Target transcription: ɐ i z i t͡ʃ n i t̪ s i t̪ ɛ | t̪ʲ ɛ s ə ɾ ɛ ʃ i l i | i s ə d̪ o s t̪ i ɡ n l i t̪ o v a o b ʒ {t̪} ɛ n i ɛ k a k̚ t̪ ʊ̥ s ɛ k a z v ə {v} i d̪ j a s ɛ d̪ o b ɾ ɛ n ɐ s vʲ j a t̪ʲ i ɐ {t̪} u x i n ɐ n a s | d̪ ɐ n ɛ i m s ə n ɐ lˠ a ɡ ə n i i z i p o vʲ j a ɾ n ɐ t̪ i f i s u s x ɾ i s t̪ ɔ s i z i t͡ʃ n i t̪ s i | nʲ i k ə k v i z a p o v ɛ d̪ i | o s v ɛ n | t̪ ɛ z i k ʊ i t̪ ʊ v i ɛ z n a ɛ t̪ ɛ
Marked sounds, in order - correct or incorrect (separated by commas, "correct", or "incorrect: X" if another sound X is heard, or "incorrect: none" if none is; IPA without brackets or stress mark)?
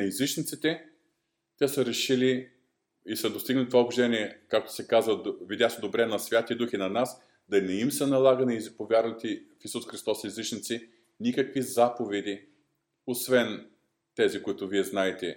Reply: incorrect: d̪, correct, incorrect: d̪